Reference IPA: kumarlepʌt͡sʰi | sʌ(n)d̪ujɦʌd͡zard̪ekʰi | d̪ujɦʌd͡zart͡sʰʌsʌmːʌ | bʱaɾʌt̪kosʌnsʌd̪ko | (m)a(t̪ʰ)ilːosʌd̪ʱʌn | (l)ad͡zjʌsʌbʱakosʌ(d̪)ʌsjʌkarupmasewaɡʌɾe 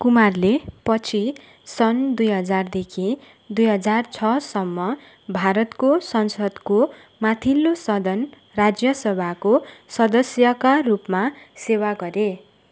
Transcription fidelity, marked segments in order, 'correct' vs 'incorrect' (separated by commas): correct, correct, correct, incorrect, correct